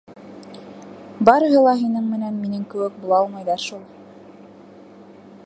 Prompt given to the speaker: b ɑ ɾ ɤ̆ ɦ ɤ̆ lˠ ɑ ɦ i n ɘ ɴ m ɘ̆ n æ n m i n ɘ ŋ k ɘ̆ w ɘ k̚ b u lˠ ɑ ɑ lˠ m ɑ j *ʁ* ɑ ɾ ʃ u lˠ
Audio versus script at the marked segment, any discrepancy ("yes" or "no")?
yes